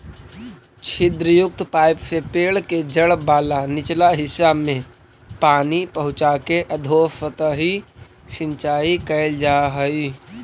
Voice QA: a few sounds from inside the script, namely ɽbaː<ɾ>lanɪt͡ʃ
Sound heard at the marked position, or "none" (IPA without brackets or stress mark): none